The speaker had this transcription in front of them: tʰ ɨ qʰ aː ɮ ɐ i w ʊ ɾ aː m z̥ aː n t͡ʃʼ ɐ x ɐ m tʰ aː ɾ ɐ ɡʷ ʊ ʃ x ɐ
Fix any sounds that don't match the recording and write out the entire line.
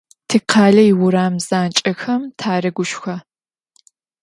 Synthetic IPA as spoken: tʰ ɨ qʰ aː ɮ ɐ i w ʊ ɾ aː m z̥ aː n t͡ʃʼ ɐ x ɐ m tʰ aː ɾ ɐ ɡʷ ʊ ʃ x ɐ